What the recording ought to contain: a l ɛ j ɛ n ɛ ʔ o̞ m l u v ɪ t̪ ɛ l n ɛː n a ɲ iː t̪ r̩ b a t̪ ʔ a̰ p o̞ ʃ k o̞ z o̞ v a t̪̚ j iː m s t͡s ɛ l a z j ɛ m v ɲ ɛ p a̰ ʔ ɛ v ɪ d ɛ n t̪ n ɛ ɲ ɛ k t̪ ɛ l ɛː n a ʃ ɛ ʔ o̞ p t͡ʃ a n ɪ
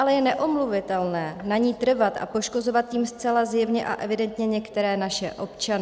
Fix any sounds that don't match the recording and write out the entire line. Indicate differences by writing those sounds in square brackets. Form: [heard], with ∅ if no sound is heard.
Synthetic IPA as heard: a l ɛ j ɛ n ɛ ʔ o̞ m l u v ɪ t̪ ɛ l n ɛː n a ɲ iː t̪ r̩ [v] a t̪ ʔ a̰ p o̞ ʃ k o̞ z o̞ v a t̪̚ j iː m s t͡s ɛ l a z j ɛ [∅] v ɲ ɛ [ʔ] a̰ ʔ ɛ v ɪ d ɛ n t̪ [ɲ] ɛ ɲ ɛ k t̪ ɛ [ɾ] ɛː n a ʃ ɛ ʔ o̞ p t͡ʃ a n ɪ

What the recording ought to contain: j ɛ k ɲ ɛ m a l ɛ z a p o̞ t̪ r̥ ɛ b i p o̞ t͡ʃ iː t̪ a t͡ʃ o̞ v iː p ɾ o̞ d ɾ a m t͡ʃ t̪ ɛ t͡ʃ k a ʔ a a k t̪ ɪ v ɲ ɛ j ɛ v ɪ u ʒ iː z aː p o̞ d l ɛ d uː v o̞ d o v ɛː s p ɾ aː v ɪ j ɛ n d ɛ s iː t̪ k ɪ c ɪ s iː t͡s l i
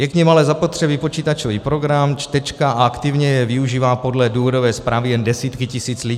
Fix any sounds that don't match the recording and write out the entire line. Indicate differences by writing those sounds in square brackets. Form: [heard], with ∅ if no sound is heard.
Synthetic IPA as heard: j ɛ k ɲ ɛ m a l ɛ z a p o̞ t̪ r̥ ɛ b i p o̞ t͡ʃ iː t̪ a t͡ʃ o̞ v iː p ɾ o̞ [ɡ] ɾ a m t͡ʃ t̪ ɛ t͡ʃ k a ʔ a a k t̪ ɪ v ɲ ɛ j ɛ v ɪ u ʒ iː [v] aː p o̞ d l ɛ d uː v o̞ d o v ɛː s p ɾ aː v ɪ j ɛ n d ɛ s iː t̪ k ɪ c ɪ s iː t͡s l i

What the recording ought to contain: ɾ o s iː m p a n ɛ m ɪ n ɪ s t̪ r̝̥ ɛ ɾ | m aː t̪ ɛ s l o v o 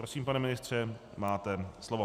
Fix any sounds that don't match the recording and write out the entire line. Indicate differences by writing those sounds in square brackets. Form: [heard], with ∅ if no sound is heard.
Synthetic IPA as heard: ɾ o s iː m p a n ɛ m ɪ n ɪ s t̪ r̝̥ ɛ [∅] | m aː t̪ ɛ s l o v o

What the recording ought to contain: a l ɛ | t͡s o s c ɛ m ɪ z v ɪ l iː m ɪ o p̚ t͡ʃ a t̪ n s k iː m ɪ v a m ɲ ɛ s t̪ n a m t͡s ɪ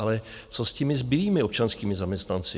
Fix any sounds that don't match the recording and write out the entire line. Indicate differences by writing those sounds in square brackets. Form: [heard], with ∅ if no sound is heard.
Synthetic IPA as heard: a l ɛ | t͡s o s c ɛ m ɪ z [b] ɪ l iː m ɪ o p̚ t͡ʃ a [∅] n s k iː m ɪ [z] a m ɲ ɛ s t̪ n a [n] t͡s ɪ

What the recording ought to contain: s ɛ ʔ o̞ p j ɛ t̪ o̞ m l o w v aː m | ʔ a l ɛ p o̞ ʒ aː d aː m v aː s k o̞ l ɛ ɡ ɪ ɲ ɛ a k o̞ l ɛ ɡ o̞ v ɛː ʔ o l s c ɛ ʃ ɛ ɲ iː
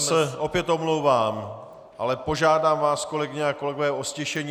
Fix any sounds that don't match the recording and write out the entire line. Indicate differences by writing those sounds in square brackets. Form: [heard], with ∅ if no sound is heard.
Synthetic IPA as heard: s ɛ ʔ o̞ p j ɛ t̪ o̞ m l o w v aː m | ʔ a l ɛ p o̞ ʒ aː d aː m v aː s k o̞ l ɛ ɡ ɪ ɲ ɛ a k o̞ l ɛ ɡ o̞ v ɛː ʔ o [∅] s c ɛ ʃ ɛ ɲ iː

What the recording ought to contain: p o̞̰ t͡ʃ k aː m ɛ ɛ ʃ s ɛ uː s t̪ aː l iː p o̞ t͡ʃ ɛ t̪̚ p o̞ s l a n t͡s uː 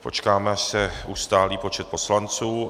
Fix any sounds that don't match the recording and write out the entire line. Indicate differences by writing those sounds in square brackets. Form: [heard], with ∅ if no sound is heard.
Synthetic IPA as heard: p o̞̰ t͡ʃ k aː m ɛ [a] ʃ s ɛ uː s t̪ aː l iː p o̞ t͡ʃ ɛ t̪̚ p o̞ s l a n t͡s uː

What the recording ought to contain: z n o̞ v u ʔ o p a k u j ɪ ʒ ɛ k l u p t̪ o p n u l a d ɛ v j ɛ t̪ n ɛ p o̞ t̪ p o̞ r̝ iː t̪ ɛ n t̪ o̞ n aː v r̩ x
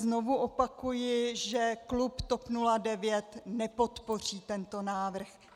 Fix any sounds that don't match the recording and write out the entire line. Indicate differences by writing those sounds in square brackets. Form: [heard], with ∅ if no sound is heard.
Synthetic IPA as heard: z n o̞ v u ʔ o p a k u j ɪ ʒ ɛ k l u p t̪ o p n u l a d ɛ v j ɛ t̪ n ɛ p o̞ t̪ p o̞ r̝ iː t̪ ɛ n t̪ o̞ n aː v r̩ x

